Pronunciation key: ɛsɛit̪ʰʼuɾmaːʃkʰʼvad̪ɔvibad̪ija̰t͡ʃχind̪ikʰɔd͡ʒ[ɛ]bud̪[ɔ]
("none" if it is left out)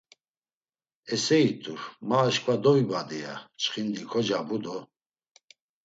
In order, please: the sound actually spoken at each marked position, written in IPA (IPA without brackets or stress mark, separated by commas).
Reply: a, ɔ